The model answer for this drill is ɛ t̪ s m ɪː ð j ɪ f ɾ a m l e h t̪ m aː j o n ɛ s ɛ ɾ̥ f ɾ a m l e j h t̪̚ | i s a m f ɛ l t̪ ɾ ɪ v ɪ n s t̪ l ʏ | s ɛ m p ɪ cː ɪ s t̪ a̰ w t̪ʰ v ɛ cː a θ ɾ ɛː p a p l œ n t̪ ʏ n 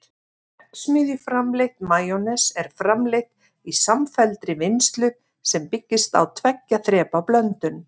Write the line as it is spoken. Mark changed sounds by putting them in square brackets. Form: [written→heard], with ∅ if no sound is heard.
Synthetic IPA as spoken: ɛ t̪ s m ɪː ð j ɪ f ɾ a m l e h t̪ m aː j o n ɛ s ɛ ɾ̥ f ɾ a m l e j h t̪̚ | i s a m f ɛ l t̪ ɾ ɪ v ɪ n s t̪ l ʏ | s ɛ m p ɪ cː ɪ s t̪ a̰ w t̪ʰ v ɛ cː a θ ɾ ɛː p a p l œ n t̪ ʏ n